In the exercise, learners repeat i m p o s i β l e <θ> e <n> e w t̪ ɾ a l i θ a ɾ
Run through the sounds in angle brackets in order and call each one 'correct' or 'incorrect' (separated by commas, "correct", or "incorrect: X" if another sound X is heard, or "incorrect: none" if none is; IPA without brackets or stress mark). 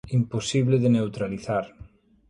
incorrect: ð, correct